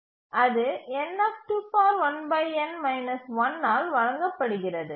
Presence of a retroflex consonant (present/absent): present